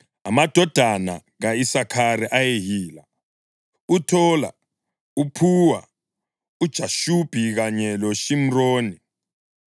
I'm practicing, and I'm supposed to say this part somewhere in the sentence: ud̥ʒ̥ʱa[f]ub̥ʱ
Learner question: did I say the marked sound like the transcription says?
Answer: no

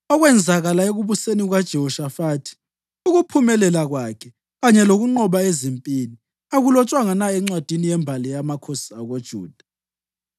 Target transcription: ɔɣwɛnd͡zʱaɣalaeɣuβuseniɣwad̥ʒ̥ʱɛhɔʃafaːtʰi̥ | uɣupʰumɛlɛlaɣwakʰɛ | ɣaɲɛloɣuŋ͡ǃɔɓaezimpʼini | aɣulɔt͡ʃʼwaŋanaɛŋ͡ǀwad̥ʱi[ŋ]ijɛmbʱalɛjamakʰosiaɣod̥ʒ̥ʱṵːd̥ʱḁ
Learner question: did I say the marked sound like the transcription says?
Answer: no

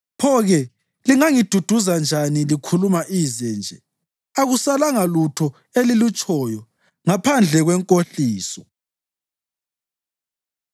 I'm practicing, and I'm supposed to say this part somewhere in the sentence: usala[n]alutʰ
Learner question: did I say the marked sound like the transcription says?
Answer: no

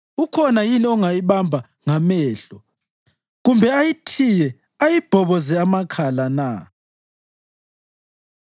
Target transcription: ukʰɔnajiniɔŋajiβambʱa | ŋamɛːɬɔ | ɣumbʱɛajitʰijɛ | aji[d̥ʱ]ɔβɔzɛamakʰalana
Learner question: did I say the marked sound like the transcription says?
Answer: no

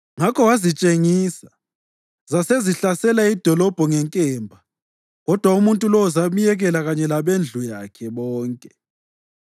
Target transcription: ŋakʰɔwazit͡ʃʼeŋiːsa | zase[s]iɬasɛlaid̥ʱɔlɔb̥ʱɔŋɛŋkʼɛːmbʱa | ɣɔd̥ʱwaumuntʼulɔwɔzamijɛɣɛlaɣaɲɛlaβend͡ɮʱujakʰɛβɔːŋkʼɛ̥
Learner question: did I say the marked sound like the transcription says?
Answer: no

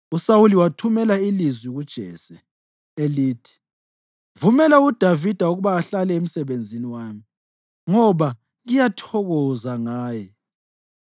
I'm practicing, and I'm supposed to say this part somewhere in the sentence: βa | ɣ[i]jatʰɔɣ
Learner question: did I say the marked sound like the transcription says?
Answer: yes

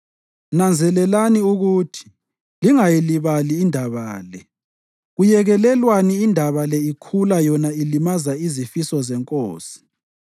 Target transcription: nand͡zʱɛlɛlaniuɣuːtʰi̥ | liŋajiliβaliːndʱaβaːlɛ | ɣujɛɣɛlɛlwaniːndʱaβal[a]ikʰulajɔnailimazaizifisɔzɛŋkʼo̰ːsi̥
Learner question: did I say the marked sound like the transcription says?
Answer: no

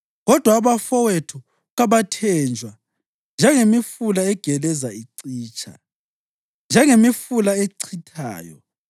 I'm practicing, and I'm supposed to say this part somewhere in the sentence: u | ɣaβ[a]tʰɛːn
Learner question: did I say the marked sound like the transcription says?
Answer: yes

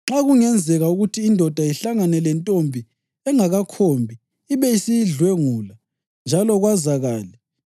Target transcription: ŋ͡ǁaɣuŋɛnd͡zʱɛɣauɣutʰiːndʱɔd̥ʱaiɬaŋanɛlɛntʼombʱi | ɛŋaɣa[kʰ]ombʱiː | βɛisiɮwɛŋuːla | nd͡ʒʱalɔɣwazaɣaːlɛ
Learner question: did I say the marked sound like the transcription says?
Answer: yes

